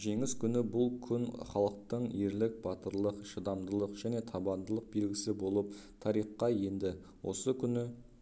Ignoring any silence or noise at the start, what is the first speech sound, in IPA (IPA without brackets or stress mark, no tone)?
ʒ